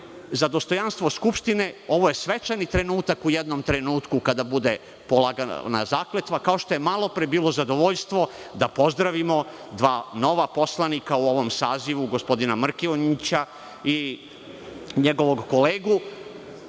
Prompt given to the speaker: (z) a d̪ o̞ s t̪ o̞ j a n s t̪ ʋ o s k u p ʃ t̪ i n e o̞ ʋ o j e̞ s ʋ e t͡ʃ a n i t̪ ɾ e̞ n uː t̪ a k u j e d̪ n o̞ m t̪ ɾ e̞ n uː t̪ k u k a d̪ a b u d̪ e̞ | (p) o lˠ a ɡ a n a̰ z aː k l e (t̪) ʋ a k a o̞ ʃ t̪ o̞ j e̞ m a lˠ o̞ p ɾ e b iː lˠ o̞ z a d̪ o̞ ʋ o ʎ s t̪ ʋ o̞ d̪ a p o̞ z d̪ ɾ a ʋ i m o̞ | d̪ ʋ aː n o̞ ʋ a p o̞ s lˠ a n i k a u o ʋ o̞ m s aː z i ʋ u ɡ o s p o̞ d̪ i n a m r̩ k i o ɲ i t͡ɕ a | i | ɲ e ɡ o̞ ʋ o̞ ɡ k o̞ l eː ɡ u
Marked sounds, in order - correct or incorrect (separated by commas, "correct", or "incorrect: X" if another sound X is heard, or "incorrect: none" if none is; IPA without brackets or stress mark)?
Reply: correct, correct, correct